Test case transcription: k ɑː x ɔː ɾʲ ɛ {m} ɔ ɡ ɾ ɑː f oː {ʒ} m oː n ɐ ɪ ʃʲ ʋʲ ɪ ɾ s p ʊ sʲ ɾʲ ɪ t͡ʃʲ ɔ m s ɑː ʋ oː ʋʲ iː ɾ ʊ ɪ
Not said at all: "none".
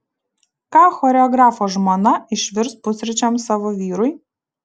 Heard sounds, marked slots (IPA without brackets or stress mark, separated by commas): none, ʒ